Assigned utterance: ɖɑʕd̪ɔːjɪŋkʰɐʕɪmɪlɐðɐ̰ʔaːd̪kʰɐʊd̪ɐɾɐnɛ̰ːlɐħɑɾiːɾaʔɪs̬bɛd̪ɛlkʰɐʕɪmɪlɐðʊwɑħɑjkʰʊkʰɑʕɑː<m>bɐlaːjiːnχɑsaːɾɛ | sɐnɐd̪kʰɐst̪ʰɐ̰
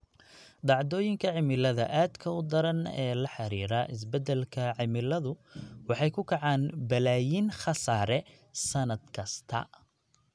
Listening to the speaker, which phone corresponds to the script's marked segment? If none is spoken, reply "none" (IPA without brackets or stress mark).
n